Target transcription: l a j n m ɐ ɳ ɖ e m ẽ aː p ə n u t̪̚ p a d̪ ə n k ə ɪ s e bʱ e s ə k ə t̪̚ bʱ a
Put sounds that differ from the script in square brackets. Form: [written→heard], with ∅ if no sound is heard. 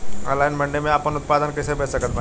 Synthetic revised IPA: l a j n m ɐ ɳ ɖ e m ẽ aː p ə n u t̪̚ p a d̪ ə n k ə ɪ s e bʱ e s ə k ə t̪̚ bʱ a